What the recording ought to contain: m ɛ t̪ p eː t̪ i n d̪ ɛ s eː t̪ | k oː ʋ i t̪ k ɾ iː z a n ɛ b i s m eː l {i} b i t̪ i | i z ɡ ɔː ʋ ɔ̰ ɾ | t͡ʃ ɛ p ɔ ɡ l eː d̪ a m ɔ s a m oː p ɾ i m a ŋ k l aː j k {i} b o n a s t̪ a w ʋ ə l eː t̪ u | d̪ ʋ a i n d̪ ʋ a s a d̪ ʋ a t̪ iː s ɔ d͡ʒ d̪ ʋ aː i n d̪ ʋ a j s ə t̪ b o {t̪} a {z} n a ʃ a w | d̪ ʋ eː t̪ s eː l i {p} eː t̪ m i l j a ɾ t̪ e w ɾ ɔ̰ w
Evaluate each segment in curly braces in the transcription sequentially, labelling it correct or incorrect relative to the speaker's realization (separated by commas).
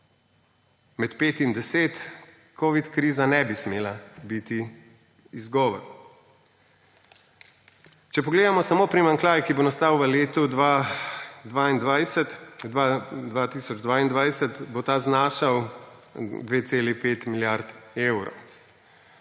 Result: incorrect, correct, correct, correct, correct